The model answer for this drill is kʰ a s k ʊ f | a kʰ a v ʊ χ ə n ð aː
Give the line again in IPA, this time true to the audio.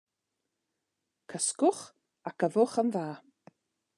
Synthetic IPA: kʰ ə s k ʊ χ | a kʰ ə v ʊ χ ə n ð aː